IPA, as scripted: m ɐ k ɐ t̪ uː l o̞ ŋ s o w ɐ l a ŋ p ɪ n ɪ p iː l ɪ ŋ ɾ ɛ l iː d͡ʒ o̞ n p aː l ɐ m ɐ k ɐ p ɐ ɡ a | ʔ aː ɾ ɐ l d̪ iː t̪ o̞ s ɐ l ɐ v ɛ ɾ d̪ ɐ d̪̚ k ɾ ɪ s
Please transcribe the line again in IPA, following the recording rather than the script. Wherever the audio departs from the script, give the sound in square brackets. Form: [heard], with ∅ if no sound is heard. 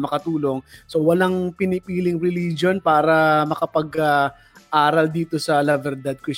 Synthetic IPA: m ɐ k ɐ t̪ uː l o̞ ŋ s o w ɐ l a ŋ p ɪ n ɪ p iː l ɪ ŋ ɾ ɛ l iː d͡ʒ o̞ n p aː [ɾ] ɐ m ɐ k ɐ p ɐ ɡ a | ʔ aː ɾ ɐ l d̪ iː t̪ o̞ s ɐ l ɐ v ɛ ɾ d̪ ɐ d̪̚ k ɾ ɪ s